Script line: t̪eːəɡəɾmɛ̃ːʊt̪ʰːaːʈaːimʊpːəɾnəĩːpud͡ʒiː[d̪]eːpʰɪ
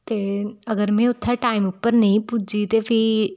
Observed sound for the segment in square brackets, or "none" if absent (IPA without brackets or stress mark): t̪